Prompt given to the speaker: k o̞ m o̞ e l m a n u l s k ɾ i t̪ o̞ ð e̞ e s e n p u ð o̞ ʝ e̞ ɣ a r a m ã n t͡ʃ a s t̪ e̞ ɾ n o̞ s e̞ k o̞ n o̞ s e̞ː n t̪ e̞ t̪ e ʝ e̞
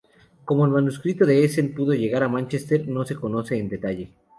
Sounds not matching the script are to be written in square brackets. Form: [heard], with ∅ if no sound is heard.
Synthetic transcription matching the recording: k o̞ m o̞ e l m a n u [∅] s k ɾ i t̪ o̞ ð e̞ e s e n p u ð o̞ ʝ e̞ ɣ a [ɾ] a m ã n t͡ʃ [e] s t̪ e̞ ɾ n o̞ s e̞ k o̞ n o̞ s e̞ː n [d̪] e̞ t̪ [a] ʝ e̞